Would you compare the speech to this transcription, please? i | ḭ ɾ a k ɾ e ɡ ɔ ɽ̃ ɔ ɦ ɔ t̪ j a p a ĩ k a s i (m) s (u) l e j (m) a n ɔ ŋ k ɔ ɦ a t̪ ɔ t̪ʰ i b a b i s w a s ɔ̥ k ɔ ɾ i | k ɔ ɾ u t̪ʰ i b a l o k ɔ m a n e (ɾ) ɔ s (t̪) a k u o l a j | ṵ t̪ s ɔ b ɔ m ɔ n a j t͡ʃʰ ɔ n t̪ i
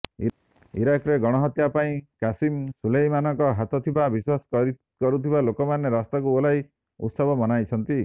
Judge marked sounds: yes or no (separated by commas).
yes, yes, yes, yes, yes